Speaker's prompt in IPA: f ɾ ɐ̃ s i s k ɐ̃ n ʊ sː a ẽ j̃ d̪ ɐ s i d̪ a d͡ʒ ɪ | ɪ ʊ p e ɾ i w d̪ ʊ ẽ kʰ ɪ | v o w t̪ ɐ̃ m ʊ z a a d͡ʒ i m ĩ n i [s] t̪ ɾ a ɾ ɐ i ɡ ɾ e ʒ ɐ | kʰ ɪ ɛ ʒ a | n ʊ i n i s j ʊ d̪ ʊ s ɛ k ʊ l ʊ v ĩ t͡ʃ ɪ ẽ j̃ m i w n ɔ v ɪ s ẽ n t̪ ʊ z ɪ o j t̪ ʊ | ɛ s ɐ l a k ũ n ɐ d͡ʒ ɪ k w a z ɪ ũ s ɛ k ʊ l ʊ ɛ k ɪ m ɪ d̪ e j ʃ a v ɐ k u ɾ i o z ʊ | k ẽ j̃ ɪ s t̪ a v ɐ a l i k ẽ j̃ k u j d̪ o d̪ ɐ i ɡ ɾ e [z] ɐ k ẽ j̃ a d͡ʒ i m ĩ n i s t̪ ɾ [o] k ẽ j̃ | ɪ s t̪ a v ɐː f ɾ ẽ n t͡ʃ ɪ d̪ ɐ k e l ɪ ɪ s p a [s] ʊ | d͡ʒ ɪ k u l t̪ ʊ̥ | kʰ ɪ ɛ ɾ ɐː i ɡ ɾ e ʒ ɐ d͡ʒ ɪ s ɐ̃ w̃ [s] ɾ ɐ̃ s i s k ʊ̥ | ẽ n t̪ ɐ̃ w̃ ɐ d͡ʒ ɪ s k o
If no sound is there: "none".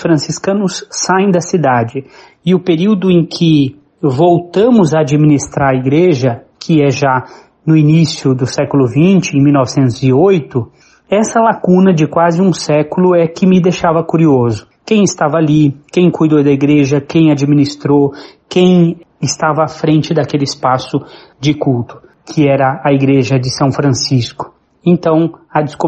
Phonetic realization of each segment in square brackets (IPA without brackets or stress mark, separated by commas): s, ʒ, o, s, f